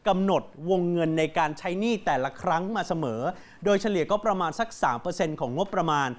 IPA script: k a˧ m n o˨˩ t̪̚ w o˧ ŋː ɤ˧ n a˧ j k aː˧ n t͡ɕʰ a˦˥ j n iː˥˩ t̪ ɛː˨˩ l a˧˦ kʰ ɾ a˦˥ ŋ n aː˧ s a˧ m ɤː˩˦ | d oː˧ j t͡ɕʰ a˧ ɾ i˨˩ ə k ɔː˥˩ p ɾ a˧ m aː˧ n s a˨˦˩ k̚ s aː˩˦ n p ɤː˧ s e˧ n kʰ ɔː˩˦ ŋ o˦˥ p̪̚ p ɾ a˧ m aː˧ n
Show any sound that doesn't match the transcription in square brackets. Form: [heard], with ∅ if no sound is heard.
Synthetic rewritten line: k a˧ m n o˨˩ t̪̚ w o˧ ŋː ɤ˧ [nː] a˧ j k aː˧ n t͡ɕʰ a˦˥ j n iː˥˩ t̪ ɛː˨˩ l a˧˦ kʰ ɾ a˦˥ ŋ [m] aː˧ s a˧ m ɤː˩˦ | d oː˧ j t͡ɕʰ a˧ [l] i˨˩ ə k ɔː˥˩ p ɾ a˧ m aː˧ n s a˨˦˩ k̚ s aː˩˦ [m] p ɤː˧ s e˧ n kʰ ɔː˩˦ ŋ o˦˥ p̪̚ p ɾ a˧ m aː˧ n

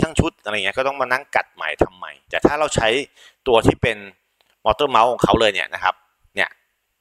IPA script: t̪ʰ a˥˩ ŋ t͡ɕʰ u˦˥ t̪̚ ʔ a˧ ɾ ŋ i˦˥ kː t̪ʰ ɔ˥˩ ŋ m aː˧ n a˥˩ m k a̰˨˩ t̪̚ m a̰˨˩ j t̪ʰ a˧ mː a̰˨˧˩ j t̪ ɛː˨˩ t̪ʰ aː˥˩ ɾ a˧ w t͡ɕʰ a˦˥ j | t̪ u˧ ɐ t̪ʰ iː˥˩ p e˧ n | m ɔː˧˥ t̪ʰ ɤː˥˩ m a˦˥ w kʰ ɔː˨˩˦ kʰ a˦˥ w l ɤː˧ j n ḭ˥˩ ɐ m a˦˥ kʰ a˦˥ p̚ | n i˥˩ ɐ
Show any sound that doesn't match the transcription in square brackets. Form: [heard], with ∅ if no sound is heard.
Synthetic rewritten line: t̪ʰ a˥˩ ŋ t͡ɕʰ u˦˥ t̪̚ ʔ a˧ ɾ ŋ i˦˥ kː [t̪] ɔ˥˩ ŋ m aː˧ n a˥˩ [ŋ] k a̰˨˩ t̪̚ m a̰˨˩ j t̪ʰ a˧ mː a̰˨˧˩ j t̪ ɛː˨˩ t̪ʰ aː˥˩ ɾ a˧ w t͡ɕʰ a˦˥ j | t̪ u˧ ɐ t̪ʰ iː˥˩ p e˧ n | m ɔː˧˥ [t̪] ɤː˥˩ m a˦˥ w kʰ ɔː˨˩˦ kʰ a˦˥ w l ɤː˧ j n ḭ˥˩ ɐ [n] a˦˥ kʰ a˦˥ p̚ | n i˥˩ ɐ

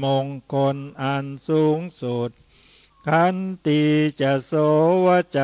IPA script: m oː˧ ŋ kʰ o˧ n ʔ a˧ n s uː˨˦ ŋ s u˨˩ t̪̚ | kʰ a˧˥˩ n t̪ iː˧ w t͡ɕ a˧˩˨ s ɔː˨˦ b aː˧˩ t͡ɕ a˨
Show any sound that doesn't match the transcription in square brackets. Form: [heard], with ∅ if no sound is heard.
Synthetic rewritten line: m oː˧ ŋ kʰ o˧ n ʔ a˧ n s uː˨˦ ŋ s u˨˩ t̪̚ | kʰ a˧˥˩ n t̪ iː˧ [∅] t͡ɕ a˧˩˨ s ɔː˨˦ [w] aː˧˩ t͡ɕ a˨

